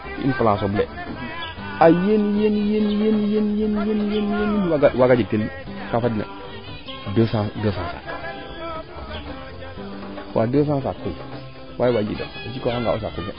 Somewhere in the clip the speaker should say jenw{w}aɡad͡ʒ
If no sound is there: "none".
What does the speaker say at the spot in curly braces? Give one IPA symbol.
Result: w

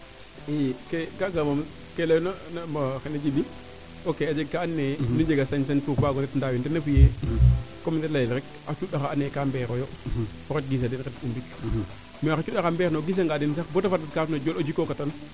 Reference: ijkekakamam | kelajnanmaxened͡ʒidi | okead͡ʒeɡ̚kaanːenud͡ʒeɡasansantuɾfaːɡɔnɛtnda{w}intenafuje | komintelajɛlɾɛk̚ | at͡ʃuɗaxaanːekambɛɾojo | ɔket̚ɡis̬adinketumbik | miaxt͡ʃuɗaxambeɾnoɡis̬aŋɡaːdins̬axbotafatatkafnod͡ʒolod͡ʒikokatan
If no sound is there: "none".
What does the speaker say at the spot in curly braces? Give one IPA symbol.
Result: w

